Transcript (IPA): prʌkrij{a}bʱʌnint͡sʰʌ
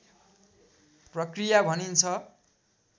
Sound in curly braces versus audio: correct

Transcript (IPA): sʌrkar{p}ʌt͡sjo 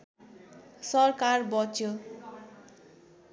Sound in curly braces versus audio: incorrect: b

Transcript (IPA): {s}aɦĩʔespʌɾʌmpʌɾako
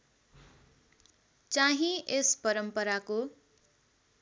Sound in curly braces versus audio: incorrect: t͡s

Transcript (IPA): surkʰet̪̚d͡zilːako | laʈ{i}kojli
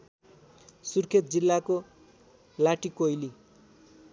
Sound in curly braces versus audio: correct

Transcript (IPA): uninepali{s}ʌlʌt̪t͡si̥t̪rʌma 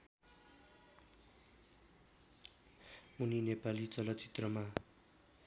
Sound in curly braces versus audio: incorrect: t͡s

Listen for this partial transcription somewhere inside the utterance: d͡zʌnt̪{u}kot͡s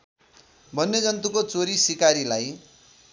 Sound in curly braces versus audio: correct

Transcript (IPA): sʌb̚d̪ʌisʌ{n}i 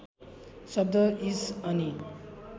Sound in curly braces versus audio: correct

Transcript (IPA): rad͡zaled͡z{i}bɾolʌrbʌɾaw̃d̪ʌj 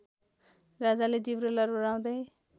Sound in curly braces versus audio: correct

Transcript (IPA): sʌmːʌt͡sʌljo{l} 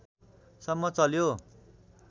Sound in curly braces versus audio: incorrect: none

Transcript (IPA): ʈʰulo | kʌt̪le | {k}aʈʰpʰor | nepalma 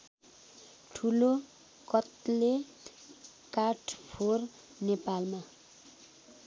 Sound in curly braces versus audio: correct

